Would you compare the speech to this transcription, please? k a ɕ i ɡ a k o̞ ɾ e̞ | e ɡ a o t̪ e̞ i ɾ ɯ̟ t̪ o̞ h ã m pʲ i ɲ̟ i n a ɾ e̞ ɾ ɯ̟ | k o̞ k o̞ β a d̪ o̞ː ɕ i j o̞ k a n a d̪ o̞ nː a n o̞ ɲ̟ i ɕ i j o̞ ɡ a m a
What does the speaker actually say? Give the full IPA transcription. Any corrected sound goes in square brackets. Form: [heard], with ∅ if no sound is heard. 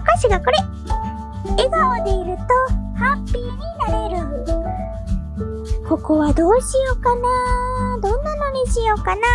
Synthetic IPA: k a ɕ i ɡ a k o̞ ɾ e̞ | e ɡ a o [d̪] e̞ i ɾ ɯ̟ t̪ o̞ h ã m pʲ i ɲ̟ i n a ɾ e̞ ɾ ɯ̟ | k o̞ k o̞ β a d̪ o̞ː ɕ i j o̞ k a n a d̪ [õ̞] nː a n o̞ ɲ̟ i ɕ i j o̞ [k] a [n] a